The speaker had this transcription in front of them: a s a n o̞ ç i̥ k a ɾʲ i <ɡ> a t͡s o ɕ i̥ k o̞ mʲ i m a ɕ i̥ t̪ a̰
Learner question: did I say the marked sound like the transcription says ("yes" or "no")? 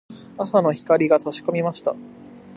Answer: yes